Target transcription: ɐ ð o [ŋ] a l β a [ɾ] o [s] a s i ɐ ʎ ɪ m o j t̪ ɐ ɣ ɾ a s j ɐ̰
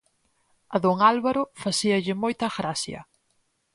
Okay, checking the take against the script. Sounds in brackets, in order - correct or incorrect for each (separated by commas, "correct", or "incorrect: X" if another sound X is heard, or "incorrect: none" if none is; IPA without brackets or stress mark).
correct, correct, incorrect: f